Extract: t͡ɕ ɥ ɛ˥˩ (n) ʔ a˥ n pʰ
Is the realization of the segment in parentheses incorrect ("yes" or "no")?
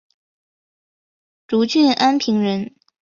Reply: no